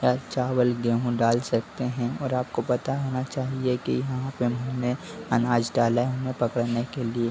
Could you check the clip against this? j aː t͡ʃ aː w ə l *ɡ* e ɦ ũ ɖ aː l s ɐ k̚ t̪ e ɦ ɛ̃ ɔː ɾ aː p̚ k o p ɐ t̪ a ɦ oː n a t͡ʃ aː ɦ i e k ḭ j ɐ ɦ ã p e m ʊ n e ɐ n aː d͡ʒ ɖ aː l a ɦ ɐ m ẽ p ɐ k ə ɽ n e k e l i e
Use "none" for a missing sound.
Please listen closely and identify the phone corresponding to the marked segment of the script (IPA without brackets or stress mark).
ɡ